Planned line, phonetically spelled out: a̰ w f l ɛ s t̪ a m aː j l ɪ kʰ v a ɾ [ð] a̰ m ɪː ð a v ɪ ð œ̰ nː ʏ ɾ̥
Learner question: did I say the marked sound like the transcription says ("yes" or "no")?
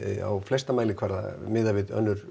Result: yes